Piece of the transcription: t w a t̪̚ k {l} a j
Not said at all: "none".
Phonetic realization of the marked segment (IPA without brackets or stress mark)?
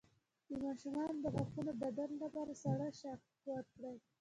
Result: ɽ